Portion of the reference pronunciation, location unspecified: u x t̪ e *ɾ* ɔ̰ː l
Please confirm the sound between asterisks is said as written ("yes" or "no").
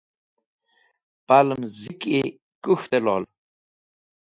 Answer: no